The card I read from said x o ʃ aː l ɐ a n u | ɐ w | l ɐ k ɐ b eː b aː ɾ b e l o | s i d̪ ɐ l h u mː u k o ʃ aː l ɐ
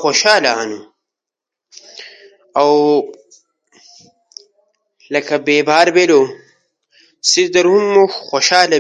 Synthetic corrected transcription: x o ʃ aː l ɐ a n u | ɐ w | l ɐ k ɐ b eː b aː ɾ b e l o | s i d̪ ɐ ɾ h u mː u x o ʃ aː l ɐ

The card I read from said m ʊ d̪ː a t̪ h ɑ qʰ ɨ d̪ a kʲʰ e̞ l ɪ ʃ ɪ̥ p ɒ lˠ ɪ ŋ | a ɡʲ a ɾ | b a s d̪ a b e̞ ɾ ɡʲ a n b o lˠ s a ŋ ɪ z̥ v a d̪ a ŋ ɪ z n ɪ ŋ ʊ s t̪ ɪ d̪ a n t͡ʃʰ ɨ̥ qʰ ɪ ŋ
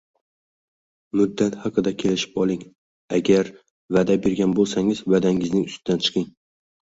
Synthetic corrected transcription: m ʊ d̪ː a t̪ h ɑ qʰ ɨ d̪ a kʲʰ e̞ l ɪ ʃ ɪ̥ p ɒ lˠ ɪ ŋ | a ɡʲ a ɾ | v a d̪ a b e̞ ɾ ɡʲ a n b o lˠ s a ŋ ɪ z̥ v a d̪ a ŋ ɪ z n ɪ ŋ ʊ s t̪ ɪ d̪ a n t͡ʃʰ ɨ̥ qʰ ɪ ŋ

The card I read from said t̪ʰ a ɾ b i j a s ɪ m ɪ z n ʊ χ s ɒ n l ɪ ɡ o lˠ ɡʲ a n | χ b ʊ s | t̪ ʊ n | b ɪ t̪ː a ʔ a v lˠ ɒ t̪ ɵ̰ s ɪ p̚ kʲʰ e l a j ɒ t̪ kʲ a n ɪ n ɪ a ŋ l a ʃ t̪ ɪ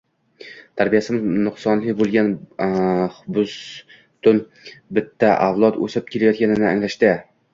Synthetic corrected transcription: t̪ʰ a ɾ b i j a s ɪ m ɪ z n ʊ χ s ɒ n l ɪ b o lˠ ɡʲ a n | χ b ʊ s | t̪ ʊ n | b ɪ t̪ː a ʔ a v lˠ ɒ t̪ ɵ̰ s ɪ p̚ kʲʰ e l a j ɒ t̪ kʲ a n ɪ n ɪ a ŋ l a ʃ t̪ ɪ

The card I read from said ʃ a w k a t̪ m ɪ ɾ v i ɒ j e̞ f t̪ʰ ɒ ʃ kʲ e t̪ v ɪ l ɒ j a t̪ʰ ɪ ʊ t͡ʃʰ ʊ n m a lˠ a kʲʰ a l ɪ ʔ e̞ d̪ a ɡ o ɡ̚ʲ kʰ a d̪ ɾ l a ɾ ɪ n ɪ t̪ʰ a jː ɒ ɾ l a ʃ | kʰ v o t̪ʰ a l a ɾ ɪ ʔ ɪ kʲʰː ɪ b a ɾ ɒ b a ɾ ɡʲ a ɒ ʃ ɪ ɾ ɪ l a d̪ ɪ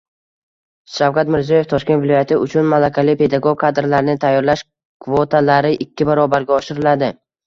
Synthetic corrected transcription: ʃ a w k a t̪ m ɪ ɾ z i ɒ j e̞ f t̪ʰ ɒ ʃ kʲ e t̪ v ɪ l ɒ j a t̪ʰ ɪ ʊ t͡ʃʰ ʊ n m a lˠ a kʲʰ a l ɪ p e̞ d̪ a ɡ o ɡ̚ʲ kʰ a d̪ ɾ l a ɾ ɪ n ɪ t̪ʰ a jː ɒ ɾ l a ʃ | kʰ v o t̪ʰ a l a ɾ ɪ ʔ ɪ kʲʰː ɪ b a ɾ ɒ b a ɾ ɡʲ a ɒ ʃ ɪ ɾ ɪ l a d̪ ɪ

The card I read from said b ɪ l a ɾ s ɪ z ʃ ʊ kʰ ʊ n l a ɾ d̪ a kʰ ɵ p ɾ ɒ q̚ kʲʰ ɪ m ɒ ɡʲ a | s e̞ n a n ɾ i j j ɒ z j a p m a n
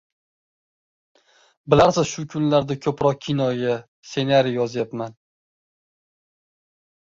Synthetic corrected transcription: b ɪ l a ɾ s ɪ z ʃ ʊ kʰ ʊ n l a ɾ d̪ a kʰ ɵ p ɾ ɒ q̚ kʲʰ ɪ n ɒ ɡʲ a | s e̞ n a ɾ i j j ɒ z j a p m a n

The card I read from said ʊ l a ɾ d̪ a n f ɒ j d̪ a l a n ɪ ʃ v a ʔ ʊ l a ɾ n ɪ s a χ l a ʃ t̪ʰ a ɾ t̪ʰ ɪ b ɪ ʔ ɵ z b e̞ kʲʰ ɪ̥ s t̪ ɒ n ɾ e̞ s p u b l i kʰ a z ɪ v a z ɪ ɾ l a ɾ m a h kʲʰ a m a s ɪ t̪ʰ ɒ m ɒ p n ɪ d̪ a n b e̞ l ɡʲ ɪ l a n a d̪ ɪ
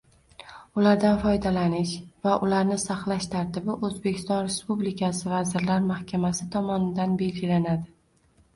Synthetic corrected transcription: ʊ l a ɾ d̪ a n f ɒ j d̪ a l a n ɪ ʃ v a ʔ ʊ l a ɾ n ɪ s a χ l a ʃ t̪ʰ a ɾ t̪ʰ ɪ b ɪ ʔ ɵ z b e̞ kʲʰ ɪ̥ s t̪ ɒ n ɾ e̞ s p u b l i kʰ a s ɪ v a z ɪ ɾ l a ɾ m a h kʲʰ a m a s ɪ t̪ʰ ɒ m ɒ n ɪ d̪ a n b e̞ l ɡʲ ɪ l a n a d̪ ɪ

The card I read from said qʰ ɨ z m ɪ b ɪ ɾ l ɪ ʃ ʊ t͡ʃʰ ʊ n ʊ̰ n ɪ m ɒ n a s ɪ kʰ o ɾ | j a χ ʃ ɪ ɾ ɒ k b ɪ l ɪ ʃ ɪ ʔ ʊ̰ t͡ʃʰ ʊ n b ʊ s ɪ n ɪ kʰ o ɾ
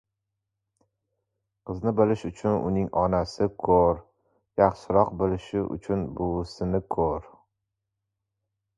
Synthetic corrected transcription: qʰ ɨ z n ɪ b ɪ l ɪ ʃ ʊ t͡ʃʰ ʊ n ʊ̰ n ɪ ŋ ɒ n a s ɪ kʰ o ɾ | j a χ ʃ ɪ ɾ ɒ q b ɪ l ɪ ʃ ɪ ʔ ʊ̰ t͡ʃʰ ʊ n b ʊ s ɪ n ɪ kʰ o ɾ

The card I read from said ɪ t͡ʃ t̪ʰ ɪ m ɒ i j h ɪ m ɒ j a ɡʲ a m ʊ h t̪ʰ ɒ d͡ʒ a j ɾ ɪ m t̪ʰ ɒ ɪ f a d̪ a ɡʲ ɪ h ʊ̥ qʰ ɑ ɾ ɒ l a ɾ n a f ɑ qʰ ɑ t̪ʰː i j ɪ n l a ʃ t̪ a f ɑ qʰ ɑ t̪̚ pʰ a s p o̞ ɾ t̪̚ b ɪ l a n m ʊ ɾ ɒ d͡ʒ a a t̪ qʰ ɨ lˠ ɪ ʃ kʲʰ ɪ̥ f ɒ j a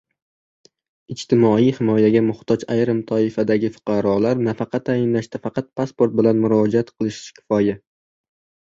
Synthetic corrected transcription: ɪ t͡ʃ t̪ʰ ɪ m ɒ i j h ɪ m ɒ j a ɡʲ a m ʊ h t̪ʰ ɒ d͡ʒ a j ɾ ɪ m t̪ʰ ɒ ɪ f a d̪ a ɡʲ ɪ f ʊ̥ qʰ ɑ ɾ ɒ l a ɾ n a f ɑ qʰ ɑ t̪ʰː a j ɪ n l a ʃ t̪ a f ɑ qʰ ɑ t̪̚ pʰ a s p o̞ ɾ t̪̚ b ɪ l a n m ʊ ɾ ɒ d͡ʒ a a t̪ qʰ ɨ lˠ ɪ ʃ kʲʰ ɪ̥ f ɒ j a

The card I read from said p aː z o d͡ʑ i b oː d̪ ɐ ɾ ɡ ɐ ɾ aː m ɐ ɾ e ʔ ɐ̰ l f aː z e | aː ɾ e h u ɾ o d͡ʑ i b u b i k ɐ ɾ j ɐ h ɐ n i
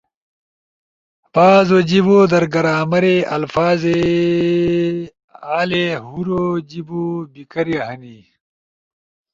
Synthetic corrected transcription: p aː z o d͡ʑ i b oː d̪ ɐ ɾ ɡ ɐ ɾ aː m ɐ ɾ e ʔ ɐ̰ l f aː z e | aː l e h u ɾ o d͡ʑ i b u b i k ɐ ɾ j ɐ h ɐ n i

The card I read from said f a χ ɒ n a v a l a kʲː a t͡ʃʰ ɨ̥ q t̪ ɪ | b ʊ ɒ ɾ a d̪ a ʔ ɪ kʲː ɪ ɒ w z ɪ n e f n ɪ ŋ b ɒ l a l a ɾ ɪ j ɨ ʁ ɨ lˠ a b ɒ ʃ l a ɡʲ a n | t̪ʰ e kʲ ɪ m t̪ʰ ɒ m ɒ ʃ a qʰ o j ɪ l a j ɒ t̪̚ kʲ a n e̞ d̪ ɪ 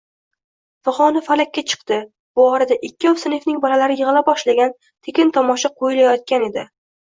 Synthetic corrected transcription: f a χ ɒ n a f a l a kʲː a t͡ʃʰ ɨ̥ q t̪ ɪ | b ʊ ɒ ɾ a d̪ a ʔ ɪ kʲː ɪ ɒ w s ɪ n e f n ɪ ŋ b ɒ l a l a ɾ ɪ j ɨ ʁ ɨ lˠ a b ɒ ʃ l a ɡʲ a n | t̪ʰ e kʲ ɪ n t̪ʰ ɒ m ɒ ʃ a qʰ o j ɪ l a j ɒ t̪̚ kʲ a n e̞ d̪ ɪ

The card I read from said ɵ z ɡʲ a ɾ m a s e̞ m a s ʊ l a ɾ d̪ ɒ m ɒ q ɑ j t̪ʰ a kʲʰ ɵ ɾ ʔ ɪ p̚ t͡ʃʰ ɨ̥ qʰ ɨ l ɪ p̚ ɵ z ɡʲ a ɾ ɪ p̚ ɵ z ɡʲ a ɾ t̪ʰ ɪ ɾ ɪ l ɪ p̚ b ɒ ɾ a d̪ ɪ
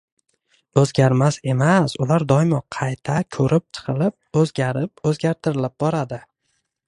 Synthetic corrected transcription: ɵ z ɡʲ a ɾ m a s e̞ m a s ʊ l a ɾ d̪ ɒ m ɒ qʰ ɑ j t̪ʰ a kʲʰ ɵ ɾ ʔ ɪ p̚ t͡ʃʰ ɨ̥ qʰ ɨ l ɪ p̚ ɵ z ɡʲ a ɾ ɪ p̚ ɵ z ɡʲ a ɾ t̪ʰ ɪ ɾ ɪ l ɪ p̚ b ɒ ɾ a d̪ ɪ

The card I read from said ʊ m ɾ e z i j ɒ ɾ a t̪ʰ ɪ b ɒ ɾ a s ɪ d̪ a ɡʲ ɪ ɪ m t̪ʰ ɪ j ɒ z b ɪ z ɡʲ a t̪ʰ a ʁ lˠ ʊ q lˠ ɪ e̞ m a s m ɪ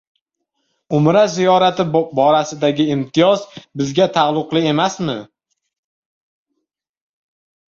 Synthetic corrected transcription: ʊ m ɾ a z i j ɒ ɾ a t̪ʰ ɪ b ɒ ɾ a s ɪ d̪ a ɡʲ ɪ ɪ m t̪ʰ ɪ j ɒ z b ɪ z ɡʲ a t̪ʰ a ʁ lˠ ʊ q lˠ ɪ e̞ m a s m ɪ

